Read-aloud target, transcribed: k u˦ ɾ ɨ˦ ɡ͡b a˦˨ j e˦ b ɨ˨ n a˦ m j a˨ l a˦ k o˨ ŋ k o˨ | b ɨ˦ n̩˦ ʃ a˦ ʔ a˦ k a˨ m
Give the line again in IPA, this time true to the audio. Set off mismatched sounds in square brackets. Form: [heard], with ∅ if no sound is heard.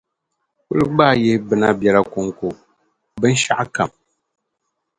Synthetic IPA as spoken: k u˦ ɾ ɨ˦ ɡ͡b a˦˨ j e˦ b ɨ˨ n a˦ [b] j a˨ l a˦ k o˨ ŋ k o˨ | b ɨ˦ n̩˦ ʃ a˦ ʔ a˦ k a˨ m